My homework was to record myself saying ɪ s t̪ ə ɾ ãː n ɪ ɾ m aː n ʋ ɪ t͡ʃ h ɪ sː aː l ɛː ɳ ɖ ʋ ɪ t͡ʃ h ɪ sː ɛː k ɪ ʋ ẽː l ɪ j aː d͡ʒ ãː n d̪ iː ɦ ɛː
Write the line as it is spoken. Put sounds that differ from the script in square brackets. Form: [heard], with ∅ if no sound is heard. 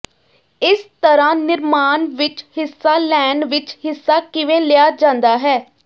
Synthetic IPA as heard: ɪ s t̪ ə ɾ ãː n ɪ ɾ m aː n ʋ ɪ t͡ʃ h ɪ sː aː l ɛː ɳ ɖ ʋ ɪ t͡ʃ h ɪ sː [aː] k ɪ ʋ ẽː l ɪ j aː d͡ʒ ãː n d̪ [aː] ɦ ɛː